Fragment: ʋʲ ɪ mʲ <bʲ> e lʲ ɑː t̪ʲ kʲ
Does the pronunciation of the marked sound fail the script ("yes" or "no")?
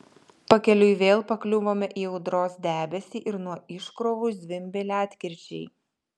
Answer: no